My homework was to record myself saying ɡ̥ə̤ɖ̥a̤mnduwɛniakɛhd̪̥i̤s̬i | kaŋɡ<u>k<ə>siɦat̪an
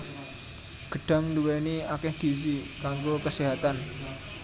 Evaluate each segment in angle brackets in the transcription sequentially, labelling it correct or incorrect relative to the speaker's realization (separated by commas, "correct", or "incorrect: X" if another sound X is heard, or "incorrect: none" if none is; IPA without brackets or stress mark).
incorrect: o, correct